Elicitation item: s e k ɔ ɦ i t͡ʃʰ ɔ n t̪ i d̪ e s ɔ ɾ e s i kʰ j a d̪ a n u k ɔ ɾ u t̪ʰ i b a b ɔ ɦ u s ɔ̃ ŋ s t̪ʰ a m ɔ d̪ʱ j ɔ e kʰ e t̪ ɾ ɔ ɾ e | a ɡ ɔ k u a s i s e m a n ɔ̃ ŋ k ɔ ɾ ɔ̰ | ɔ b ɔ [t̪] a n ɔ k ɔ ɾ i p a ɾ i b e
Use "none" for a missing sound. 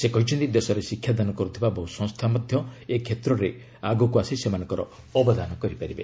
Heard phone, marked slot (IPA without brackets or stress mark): d̪